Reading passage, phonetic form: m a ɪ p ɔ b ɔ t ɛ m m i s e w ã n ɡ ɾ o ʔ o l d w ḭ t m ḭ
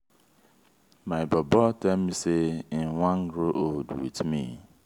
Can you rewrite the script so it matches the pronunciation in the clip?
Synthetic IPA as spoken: m a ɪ b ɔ b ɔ t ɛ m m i s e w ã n ɡ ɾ o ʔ o l d w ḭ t m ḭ